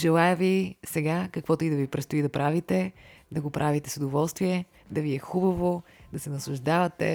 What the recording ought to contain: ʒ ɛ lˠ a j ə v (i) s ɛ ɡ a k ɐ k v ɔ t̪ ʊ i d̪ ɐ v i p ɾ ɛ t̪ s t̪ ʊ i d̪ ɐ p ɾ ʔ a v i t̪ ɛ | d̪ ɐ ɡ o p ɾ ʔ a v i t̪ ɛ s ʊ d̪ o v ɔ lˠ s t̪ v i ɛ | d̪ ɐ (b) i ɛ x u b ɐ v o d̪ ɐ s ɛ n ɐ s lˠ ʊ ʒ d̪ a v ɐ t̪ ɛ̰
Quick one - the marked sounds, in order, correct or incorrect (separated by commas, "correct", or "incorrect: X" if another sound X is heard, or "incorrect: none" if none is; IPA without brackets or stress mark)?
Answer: correct, incorrect: v